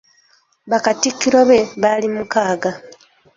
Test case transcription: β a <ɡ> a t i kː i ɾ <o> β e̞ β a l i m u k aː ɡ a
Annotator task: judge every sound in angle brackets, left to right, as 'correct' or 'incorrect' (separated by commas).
incorrect, correct